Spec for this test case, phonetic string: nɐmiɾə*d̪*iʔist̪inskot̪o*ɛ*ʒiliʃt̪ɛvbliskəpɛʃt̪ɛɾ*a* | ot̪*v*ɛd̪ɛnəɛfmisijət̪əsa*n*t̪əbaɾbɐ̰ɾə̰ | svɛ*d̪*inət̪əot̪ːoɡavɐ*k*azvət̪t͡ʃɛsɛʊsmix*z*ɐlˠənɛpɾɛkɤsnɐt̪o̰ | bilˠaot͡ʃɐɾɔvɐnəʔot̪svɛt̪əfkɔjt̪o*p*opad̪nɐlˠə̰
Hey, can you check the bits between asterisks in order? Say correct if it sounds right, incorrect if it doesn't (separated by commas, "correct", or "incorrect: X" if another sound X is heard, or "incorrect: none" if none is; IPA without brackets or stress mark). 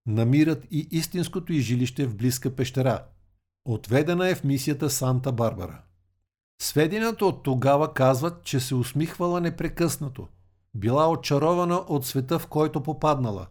incorrect: t̪, incorrect: i, correct, correct, correct, correct, correct, incorrect: v, correct